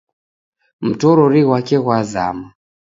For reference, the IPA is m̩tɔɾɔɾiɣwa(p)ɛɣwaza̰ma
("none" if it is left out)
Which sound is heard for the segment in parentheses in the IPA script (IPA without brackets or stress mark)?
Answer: k